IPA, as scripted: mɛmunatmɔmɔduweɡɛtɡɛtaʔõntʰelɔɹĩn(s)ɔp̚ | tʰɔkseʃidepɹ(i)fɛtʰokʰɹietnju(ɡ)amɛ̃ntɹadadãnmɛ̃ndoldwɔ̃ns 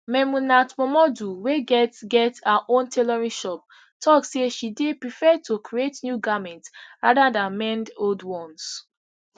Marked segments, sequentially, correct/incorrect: incorrect, correct, correct

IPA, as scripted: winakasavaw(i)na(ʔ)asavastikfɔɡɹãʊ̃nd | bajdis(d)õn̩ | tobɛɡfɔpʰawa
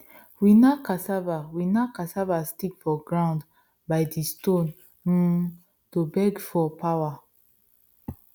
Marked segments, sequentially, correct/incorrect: correct, incorrect, incorrect

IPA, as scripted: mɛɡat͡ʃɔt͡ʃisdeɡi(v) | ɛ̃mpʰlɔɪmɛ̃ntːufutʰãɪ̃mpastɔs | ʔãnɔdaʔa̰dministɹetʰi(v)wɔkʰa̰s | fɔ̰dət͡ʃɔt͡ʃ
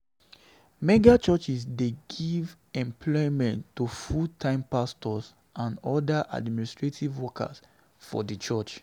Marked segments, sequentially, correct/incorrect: correct, correct

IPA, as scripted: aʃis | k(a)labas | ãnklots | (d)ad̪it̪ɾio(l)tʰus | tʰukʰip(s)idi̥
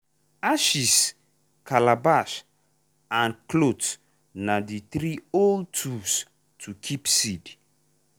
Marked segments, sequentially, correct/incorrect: correct, incorrect, correct, correct

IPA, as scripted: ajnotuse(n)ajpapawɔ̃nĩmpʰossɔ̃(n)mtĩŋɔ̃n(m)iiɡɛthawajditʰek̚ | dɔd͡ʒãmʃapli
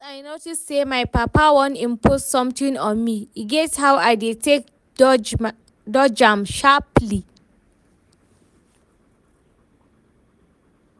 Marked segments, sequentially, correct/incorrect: incorrect, incorrect, correct

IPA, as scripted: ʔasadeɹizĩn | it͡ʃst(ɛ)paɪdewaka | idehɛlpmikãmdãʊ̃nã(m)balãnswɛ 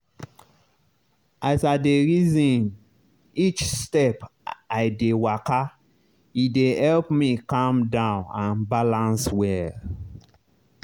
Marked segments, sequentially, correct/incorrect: correct, incorrect

